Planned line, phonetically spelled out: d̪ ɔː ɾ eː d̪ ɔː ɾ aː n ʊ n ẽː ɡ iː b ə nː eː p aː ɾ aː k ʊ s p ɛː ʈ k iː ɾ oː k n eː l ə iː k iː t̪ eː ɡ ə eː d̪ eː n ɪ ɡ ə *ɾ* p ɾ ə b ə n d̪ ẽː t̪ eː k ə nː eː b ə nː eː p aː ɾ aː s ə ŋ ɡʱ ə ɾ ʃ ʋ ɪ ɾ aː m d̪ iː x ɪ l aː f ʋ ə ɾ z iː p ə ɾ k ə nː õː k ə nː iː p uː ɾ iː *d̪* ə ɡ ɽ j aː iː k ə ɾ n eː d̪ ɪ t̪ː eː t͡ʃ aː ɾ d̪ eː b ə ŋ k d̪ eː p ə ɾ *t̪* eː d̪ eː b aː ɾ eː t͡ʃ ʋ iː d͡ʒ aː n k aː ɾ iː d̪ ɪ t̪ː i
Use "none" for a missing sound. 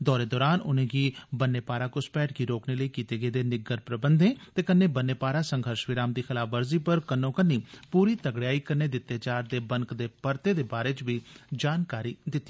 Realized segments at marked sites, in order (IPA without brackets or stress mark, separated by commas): ɾ, t̪, t̪